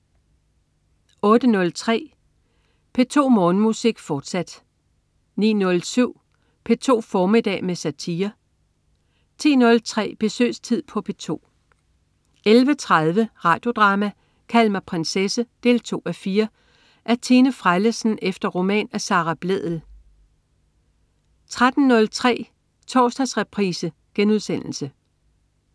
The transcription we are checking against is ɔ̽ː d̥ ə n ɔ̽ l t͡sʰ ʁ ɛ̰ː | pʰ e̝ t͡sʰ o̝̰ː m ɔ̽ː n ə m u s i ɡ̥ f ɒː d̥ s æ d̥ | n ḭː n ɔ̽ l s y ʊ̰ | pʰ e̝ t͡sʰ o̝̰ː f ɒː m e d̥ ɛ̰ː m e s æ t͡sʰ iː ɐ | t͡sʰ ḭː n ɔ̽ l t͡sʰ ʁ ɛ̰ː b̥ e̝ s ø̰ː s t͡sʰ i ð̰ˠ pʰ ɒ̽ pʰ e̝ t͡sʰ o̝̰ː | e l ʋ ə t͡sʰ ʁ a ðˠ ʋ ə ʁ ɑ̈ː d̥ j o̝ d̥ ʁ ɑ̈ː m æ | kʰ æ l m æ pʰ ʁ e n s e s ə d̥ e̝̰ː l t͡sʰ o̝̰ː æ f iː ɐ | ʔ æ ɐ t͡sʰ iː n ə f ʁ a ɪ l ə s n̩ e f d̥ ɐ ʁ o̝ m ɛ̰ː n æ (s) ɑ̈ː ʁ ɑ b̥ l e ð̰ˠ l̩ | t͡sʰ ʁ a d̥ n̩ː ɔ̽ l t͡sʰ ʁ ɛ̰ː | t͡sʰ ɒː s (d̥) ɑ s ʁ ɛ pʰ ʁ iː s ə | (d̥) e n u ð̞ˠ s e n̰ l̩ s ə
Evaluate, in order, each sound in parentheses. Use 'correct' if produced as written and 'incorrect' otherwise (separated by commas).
correct, correct, incorrect